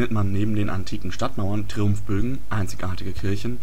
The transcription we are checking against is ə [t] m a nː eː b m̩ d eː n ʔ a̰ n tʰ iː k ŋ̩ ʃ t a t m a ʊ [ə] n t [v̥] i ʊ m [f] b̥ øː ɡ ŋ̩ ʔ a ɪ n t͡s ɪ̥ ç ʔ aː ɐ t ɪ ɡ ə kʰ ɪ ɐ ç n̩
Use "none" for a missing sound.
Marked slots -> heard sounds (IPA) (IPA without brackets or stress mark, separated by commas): t, ɐ, ʁ̥, f